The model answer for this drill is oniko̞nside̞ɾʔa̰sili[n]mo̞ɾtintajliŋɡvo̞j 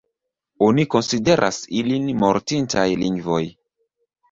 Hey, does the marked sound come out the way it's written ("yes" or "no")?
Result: yes